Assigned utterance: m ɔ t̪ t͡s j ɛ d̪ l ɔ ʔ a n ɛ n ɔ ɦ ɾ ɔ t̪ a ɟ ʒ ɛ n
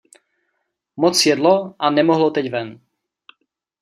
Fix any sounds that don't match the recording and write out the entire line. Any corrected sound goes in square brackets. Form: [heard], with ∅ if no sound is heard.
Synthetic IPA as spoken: m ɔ [∅] t͡s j ɛ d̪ l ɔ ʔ a n ɛ [m] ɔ ɦ [l] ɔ t̪ [ɛ] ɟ [v] ɛ n